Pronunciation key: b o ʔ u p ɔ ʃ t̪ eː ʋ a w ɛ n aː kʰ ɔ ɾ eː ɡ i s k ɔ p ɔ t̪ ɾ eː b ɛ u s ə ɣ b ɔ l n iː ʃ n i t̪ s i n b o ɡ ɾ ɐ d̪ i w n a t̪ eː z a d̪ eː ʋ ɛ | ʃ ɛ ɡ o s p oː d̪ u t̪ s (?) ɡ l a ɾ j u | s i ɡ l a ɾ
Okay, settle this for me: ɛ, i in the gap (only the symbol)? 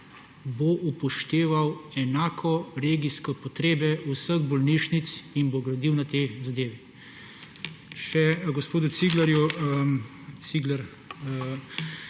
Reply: i